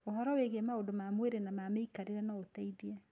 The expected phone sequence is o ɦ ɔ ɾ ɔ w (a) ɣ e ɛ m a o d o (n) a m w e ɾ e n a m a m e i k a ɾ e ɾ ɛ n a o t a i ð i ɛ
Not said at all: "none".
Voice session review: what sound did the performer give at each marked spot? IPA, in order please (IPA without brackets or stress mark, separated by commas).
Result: e, m